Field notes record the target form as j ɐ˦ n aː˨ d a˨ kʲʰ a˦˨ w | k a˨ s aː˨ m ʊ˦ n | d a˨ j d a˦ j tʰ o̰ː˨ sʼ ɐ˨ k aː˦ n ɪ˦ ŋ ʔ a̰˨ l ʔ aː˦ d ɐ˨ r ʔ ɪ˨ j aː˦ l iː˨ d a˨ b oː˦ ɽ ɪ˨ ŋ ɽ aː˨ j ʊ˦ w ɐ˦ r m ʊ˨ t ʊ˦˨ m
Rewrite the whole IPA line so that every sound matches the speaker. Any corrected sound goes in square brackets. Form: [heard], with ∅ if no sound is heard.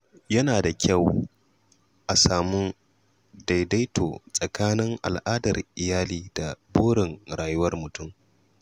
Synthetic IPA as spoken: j ɐ˦ n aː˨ d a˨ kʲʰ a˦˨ w | [ʔ] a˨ s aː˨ m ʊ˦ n | d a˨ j d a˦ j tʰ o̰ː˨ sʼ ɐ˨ k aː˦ n ɪ˦ ŋ ʔ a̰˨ l ʔ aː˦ d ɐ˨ r ʔ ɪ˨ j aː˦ l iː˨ d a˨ b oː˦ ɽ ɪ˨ ŋ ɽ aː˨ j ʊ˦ w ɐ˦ r m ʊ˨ t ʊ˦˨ m